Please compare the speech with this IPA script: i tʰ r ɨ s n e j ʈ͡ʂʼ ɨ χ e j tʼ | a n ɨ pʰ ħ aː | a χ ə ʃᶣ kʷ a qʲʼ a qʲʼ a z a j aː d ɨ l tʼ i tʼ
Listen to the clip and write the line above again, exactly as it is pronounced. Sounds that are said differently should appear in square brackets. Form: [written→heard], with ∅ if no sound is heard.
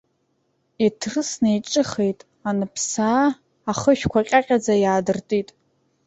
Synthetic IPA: i tʰ r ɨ s n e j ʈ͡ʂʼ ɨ χ e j tʼ | a n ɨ pʰ [ħ→s] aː | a χ ə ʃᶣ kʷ a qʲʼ a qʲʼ a [z→d͡z] a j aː d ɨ [l→r] tʼ i tʼ